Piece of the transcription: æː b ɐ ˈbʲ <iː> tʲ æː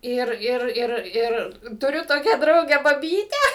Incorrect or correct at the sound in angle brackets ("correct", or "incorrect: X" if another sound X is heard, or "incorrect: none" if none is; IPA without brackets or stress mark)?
correct